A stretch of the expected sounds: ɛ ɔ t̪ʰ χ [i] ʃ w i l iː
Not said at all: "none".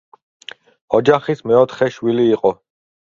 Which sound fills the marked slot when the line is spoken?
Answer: ɛ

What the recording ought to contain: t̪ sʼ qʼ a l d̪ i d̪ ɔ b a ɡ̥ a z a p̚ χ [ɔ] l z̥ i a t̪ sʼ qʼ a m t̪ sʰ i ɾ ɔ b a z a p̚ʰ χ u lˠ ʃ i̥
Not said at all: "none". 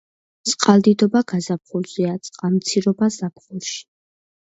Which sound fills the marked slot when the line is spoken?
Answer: u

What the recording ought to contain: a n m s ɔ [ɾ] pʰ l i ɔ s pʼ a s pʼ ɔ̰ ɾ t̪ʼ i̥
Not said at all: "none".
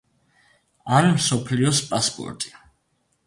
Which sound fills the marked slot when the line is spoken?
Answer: none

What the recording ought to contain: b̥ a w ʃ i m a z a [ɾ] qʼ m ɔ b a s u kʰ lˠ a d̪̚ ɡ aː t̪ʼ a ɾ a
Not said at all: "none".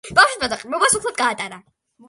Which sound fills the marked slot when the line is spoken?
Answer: none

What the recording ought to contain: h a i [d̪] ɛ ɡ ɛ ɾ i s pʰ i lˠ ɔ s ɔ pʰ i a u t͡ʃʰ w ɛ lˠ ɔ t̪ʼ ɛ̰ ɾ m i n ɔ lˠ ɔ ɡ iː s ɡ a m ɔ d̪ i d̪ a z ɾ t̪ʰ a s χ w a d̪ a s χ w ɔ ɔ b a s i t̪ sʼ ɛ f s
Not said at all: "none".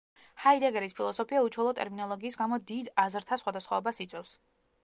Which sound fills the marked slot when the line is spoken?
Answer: d̪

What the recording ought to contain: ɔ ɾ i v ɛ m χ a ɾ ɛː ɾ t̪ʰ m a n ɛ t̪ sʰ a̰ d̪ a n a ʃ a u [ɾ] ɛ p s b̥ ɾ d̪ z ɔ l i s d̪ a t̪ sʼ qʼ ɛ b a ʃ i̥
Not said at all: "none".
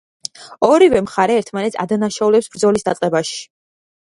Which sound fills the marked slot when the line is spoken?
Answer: l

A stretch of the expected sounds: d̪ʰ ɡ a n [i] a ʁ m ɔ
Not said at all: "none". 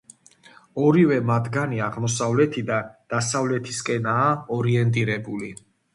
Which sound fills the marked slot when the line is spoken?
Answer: i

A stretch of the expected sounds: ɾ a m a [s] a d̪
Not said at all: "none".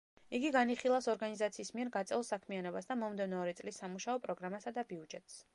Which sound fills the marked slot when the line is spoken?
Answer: s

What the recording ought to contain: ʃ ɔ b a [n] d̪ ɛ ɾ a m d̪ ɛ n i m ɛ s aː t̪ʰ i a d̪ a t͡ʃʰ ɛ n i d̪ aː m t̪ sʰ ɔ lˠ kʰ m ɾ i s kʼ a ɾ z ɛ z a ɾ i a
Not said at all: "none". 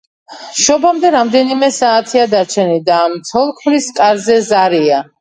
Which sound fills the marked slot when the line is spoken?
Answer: m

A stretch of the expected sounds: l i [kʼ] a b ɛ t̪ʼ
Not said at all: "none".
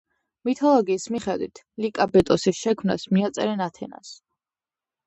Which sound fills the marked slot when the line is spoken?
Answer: kʼ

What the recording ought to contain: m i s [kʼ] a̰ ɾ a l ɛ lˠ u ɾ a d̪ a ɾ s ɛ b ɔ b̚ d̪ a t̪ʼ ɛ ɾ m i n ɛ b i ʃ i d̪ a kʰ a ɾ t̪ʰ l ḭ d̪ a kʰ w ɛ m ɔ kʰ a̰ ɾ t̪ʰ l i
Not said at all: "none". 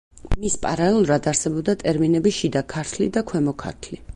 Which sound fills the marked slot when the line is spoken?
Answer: pʼ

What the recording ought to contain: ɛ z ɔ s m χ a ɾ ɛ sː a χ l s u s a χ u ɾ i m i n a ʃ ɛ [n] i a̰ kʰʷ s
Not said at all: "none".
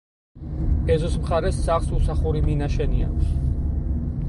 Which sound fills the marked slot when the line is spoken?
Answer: n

